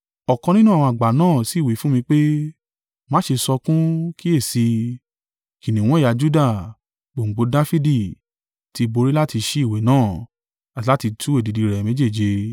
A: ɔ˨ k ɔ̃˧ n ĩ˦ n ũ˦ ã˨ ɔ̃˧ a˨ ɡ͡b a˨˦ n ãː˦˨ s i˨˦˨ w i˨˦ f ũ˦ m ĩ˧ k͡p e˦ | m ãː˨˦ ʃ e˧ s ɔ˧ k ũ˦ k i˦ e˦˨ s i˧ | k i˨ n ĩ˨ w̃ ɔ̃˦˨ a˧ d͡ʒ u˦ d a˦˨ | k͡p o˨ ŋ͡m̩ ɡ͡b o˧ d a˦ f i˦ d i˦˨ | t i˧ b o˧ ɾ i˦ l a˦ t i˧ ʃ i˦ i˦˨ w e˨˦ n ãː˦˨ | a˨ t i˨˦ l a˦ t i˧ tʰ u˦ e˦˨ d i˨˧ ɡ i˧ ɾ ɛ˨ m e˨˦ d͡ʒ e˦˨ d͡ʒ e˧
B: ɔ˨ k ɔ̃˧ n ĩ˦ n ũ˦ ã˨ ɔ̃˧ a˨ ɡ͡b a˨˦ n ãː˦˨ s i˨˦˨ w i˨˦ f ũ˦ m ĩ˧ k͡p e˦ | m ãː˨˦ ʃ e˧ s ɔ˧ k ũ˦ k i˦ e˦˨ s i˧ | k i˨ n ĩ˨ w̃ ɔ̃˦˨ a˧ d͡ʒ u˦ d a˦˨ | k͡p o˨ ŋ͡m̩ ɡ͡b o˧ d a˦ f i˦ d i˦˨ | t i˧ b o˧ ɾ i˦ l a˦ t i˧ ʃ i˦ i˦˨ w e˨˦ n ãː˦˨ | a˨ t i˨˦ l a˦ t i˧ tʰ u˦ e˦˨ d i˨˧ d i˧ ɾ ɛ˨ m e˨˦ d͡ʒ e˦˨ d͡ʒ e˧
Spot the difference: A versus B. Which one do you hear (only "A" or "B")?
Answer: B